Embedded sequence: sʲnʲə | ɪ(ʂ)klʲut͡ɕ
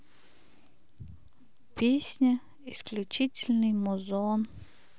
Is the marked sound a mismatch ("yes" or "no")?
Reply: yes